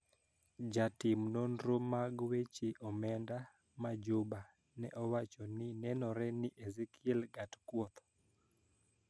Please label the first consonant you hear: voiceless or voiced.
voiced